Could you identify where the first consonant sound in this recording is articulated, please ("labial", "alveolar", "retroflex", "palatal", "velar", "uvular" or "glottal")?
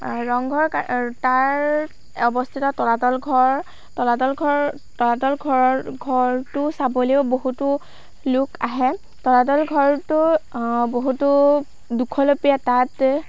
alveolar